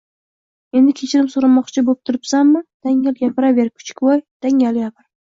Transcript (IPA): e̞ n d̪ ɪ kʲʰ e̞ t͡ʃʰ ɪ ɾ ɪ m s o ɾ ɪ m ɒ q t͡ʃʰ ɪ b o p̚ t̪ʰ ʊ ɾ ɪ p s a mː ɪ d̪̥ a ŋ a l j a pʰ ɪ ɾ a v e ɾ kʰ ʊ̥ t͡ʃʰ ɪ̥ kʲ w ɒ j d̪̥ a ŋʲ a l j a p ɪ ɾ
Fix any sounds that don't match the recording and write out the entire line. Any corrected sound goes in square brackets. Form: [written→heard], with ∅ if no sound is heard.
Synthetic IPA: e̞ n d̪ ɪ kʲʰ e̞ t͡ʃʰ ɪ ɾ ɪ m s o ɾ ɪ m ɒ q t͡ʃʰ ɪ b o p̚ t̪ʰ ʊ ɾ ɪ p s a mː ɪ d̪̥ a ŋ a l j a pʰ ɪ ɾ a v e ɾ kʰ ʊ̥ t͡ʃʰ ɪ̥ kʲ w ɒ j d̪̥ a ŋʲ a l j a p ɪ ɾ